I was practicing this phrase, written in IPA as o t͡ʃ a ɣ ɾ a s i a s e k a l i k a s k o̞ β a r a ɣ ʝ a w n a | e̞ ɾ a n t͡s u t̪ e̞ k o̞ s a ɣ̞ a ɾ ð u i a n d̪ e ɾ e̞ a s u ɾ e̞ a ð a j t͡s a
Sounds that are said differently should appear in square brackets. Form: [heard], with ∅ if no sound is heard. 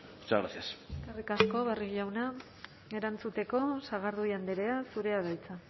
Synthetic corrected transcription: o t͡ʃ a ɣ ɾ a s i a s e k a [r] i k a s k o̞ β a r [i] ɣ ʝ a w n a | e̞ ɾ a n t͡s u t̪ e̞ k o̞ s a ɣ̞ a ɾ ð u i a n d̪ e ɾ e̞ a s u ɾ e̞ a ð a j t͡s a